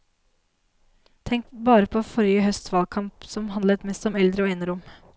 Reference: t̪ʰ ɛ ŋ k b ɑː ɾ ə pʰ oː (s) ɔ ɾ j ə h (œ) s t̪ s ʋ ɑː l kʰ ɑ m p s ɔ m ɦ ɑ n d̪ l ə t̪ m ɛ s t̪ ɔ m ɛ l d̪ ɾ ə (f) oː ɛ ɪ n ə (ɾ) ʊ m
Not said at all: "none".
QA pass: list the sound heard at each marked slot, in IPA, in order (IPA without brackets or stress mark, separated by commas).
f, œ, none, ɾ